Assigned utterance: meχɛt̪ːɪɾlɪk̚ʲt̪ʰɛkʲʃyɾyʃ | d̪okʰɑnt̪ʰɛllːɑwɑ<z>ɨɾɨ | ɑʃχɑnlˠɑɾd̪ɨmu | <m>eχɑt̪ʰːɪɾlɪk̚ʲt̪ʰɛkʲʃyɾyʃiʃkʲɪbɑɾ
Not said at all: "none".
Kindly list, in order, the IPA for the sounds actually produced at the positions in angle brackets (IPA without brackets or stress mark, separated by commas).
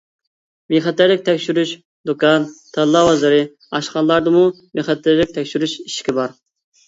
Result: z, m